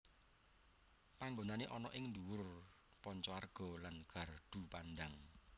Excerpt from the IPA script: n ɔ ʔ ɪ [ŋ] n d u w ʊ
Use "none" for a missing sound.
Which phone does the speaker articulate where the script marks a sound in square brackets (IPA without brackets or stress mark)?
ŋ